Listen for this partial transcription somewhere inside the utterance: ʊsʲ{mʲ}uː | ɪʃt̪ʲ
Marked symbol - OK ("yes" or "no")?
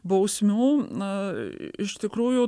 yes